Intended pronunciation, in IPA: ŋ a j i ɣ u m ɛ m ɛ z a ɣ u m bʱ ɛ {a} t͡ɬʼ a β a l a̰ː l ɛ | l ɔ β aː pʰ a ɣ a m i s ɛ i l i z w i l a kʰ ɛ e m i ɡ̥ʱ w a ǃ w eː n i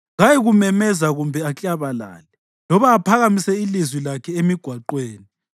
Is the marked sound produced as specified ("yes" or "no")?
yes